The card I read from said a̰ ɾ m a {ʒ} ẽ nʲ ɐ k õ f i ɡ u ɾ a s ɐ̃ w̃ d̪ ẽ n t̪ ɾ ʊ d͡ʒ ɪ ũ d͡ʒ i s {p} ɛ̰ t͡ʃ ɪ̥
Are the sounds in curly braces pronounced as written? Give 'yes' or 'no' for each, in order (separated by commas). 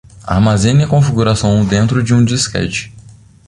no, no